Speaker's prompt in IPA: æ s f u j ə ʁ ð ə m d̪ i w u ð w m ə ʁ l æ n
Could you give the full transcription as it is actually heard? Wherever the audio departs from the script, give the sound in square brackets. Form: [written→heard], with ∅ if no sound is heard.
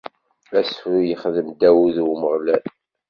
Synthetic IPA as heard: æ s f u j ə [ʁ→χ] ð ə m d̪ [i→æ] w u ð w m ə ʁ l æ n